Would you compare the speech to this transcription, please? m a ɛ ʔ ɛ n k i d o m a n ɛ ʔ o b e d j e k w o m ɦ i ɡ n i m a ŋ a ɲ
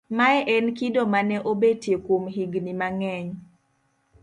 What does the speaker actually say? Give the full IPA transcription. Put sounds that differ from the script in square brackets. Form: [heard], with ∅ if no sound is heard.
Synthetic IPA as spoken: m a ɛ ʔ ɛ n k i d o m a n ɛ ʔ o b e [t] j e k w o m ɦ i ɡ n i m a ŋ [ɛ] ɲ